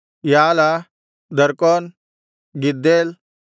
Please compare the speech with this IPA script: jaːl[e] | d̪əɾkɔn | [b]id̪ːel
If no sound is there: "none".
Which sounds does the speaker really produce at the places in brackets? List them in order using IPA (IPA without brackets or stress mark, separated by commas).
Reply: a, ɡ